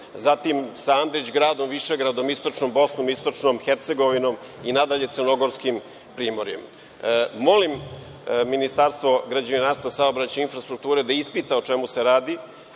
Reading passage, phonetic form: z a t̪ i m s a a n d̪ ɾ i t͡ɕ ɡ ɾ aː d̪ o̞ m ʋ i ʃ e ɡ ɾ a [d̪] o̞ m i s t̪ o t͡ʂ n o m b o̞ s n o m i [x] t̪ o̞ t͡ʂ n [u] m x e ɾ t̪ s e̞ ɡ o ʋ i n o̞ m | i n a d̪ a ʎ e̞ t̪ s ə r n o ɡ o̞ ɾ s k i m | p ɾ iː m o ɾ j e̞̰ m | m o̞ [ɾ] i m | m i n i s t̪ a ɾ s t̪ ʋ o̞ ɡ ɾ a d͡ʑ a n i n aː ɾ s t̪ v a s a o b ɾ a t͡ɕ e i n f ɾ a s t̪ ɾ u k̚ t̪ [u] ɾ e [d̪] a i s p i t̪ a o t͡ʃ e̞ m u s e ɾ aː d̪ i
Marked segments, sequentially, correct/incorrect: correct, incorrect: s, incorrect: o, incorrect: l, incorrect: uː, correct

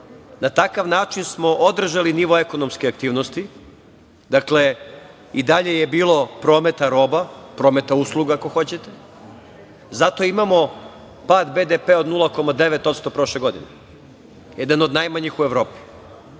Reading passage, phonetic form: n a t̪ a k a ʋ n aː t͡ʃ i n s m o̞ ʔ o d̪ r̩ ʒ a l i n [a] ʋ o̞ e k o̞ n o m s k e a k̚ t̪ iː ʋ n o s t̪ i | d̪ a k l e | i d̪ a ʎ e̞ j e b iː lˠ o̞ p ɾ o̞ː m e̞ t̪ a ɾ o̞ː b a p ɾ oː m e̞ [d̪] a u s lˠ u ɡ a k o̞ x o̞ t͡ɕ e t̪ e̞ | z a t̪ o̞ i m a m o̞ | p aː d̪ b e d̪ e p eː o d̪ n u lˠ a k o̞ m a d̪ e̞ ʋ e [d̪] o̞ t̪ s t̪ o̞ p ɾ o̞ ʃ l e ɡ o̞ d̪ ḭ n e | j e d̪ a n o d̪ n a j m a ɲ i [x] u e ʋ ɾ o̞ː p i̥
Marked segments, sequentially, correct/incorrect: incorrect: i, incorrect: t̪, incorrect: t̪, correct

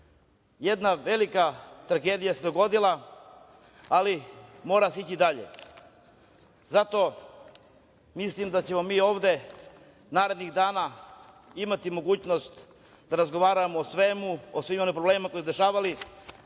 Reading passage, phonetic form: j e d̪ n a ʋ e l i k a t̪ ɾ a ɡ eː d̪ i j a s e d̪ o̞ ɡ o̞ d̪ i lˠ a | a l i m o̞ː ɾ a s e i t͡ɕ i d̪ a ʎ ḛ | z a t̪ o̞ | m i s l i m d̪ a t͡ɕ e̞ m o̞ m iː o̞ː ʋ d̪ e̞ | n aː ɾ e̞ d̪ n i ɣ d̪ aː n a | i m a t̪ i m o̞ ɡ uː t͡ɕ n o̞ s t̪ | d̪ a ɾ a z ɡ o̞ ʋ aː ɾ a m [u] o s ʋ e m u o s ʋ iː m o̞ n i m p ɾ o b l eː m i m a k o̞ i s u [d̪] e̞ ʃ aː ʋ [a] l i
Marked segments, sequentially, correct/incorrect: incorrect: o, correct, correct

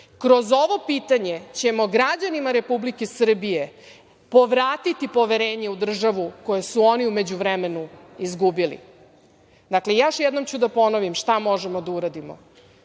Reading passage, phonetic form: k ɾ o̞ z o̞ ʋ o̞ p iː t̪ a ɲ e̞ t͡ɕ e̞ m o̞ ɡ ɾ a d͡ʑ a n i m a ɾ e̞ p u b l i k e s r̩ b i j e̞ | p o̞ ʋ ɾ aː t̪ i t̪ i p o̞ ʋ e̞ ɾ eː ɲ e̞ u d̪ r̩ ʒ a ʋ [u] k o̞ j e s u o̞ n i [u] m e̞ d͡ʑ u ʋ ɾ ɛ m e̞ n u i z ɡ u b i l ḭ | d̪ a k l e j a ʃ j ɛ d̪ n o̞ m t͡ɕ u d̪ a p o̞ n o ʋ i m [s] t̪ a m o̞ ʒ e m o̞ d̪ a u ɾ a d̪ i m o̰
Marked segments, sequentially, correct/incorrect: correct, correct, incorrect: ʃ

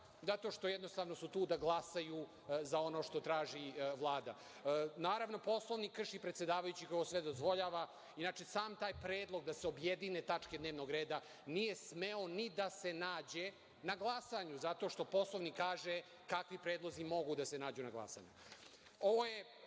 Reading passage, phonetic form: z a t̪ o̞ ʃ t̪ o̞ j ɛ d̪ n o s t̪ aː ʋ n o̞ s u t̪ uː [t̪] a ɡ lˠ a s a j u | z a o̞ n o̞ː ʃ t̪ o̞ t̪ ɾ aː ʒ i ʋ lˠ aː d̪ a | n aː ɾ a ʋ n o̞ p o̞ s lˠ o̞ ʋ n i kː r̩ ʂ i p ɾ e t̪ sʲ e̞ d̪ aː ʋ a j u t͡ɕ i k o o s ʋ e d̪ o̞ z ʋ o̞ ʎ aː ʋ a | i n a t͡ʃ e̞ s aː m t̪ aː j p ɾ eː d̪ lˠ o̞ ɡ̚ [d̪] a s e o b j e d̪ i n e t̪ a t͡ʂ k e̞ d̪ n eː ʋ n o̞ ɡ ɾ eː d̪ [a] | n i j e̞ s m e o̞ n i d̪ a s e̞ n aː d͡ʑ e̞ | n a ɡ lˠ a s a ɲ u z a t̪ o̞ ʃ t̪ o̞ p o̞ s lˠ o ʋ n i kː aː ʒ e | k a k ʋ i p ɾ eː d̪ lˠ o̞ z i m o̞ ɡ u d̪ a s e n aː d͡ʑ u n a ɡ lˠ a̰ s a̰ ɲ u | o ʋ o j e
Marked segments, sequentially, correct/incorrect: incorrect: d̪, correct, correct

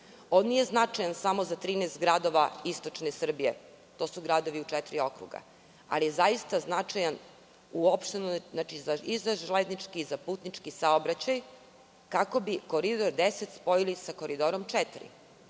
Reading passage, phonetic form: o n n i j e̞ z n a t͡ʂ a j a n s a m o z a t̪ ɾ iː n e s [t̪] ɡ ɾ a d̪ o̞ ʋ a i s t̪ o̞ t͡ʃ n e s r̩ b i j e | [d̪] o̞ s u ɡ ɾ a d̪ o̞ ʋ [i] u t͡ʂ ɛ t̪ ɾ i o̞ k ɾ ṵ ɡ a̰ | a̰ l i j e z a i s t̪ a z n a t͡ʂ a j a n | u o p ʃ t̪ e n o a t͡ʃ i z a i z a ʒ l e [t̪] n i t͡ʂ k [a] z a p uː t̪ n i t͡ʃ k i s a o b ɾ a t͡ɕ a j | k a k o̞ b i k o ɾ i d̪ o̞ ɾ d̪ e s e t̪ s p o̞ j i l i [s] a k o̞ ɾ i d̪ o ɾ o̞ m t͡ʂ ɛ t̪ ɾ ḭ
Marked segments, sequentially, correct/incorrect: correct, incorrect: t̪, correct, incorrect: d̪, incorrect: i, correct

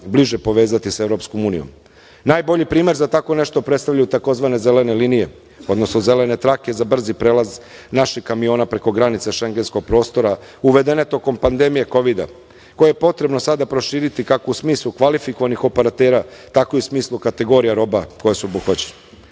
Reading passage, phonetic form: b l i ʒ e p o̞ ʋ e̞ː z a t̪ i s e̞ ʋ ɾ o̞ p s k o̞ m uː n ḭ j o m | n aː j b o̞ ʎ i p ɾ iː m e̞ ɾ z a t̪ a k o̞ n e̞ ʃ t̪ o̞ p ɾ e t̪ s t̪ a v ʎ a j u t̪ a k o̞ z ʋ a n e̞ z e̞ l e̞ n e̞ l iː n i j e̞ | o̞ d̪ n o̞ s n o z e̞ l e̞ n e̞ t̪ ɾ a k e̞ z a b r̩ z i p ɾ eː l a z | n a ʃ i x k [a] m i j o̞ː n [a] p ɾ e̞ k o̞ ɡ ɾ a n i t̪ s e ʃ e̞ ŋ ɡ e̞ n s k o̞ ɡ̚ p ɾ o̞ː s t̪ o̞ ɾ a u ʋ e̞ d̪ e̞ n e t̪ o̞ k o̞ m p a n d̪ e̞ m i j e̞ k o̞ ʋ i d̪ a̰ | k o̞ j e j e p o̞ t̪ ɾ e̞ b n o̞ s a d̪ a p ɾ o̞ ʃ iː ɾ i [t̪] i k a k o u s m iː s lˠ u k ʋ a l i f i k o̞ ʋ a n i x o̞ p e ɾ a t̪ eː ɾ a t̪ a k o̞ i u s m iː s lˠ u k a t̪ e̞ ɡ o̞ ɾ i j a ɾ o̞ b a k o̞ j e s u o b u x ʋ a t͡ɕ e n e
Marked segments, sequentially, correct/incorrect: correct, correct, correct

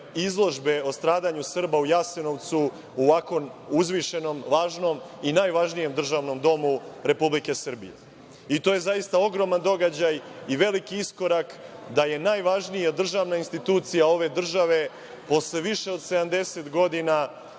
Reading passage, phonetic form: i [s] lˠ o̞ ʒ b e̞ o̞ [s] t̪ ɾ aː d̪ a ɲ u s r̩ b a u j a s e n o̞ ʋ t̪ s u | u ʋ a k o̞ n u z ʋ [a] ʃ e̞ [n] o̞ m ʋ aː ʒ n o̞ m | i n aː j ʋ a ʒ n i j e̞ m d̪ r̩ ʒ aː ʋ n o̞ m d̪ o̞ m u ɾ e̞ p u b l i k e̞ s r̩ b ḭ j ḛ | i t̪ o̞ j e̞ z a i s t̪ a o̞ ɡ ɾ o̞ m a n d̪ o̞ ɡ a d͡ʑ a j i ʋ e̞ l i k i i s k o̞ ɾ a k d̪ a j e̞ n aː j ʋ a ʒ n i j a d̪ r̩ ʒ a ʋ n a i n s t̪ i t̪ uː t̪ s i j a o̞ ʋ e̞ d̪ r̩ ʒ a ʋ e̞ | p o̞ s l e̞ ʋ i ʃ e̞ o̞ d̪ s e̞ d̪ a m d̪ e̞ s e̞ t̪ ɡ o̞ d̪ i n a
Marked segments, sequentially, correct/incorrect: incorrect: z, correct, incorrect: i, correct

